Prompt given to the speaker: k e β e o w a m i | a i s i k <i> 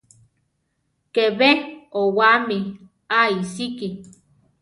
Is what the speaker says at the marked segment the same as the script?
yes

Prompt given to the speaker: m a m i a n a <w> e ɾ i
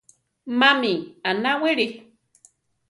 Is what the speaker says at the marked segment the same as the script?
yes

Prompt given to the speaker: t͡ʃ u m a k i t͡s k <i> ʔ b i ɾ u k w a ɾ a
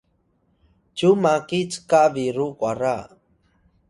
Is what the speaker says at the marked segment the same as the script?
no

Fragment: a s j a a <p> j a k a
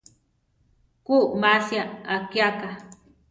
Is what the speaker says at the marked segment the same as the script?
no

